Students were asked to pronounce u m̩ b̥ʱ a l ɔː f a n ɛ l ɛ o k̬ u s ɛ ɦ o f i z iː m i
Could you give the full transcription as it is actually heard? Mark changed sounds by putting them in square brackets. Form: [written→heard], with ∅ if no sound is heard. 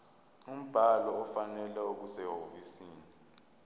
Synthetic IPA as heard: u m̩ b̥ʱ a l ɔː f a n ɛ l ɛ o k̬ u s ɛ ɦ o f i [z→s] iː [m→n] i